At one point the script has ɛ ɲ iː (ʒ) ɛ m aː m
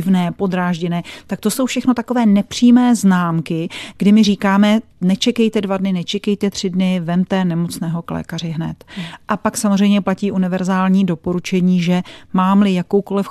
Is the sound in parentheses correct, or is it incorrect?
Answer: correct